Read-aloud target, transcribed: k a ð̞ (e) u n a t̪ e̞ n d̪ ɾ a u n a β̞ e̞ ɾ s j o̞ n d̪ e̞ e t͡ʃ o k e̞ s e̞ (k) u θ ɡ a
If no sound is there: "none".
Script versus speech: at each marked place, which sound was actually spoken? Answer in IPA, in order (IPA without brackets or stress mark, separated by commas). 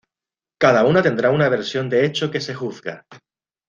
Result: a, x